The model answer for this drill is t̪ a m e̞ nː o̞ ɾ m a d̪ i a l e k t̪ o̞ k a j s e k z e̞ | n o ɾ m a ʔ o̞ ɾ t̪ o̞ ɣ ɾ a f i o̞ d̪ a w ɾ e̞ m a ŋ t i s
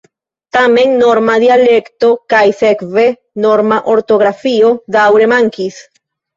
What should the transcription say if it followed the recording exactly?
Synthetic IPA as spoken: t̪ a m e̞ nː o̞ ɾ m a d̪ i a l e k t̪ o̞ k a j s e k v e̞ | n o ɾ m a ʔ o̞ ɾ t̪ o̞ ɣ ɾ a f i o̞ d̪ a w ɾ e̞ m a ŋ k i s